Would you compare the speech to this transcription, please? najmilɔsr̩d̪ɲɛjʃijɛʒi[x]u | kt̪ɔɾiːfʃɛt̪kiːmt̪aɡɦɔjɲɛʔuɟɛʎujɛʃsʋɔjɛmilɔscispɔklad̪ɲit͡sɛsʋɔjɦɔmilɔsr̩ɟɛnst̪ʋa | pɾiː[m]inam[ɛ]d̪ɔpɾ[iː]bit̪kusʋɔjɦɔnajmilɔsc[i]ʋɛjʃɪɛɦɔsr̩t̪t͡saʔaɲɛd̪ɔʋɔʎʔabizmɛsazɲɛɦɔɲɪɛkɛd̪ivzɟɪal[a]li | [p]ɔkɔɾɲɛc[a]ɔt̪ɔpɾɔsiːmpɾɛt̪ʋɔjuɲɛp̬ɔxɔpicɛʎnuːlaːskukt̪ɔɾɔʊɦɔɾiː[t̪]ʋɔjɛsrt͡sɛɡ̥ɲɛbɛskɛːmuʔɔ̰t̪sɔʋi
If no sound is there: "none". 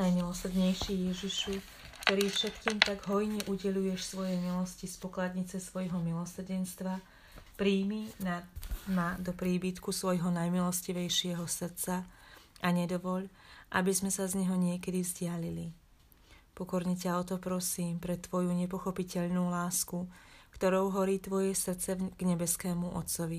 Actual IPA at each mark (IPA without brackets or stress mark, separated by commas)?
ʃ, m, a, iː, i, i, p, a, t̪